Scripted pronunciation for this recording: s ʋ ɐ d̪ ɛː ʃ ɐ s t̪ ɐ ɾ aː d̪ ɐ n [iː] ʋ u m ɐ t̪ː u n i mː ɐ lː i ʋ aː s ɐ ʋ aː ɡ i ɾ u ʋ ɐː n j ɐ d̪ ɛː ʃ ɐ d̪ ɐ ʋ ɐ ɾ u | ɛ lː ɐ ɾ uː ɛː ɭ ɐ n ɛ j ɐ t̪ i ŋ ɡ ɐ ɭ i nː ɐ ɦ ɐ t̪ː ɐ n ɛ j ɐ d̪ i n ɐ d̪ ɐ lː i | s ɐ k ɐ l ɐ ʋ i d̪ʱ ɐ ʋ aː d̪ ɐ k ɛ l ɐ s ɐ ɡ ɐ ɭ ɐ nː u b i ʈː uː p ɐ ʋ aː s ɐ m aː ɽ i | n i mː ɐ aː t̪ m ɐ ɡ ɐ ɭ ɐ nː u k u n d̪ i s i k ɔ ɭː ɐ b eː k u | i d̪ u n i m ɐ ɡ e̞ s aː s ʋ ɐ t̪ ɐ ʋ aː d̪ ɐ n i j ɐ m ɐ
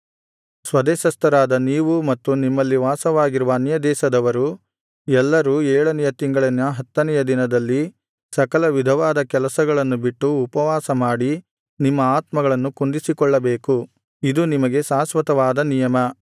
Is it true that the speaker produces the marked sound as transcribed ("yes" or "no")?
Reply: yes